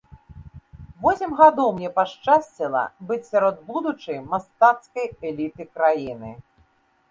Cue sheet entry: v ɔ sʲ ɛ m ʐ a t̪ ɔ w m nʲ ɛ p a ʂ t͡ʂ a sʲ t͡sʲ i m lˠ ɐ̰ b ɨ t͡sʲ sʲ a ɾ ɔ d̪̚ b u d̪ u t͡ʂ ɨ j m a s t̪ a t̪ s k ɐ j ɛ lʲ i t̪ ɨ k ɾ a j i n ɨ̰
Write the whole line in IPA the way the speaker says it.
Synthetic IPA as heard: v ɔ sʲ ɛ m ɣ a d̪ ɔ w m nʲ ɛ p a ʂ t͡ʂ a sʲ t͡sʲ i lˠ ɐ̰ b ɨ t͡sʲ sʲ a ɾ ɔ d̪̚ b u d̪ u t͡ʂ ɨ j m a s t̪ a t̪ s k ɐ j ɛ lʲ i t̪ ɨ k ɾ a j i n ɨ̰